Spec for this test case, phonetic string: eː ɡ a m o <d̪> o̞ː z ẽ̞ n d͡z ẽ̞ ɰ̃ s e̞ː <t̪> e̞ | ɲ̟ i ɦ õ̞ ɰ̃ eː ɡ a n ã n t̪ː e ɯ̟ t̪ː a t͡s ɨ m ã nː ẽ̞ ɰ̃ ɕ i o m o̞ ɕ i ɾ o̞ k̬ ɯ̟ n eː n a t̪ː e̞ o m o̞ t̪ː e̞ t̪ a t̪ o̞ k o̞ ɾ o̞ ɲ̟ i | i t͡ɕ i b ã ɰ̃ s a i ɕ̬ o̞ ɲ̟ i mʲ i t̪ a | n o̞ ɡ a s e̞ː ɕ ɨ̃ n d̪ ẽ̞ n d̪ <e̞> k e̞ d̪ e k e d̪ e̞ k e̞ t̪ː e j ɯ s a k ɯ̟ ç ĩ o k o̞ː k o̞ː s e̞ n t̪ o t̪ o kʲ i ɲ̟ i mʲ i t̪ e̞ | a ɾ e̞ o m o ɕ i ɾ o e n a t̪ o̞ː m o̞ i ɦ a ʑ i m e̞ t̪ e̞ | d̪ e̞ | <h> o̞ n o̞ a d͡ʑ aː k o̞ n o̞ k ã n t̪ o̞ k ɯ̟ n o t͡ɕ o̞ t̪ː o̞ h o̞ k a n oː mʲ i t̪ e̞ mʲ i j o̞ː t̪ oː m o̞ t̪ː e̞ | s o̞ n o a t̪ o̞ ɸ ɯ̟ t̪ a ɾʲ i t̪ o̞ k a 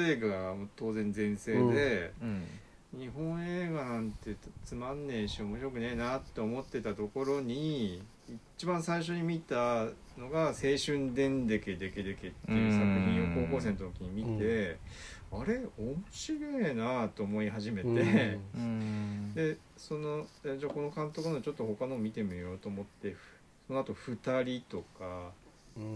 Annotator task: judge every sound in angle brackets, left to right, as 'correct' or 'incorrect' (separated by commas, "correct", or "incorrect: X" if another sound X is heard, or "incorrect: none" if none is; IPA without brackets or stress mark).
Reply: incorrect: t̪, incorrect: d̪, correct, incorrect: s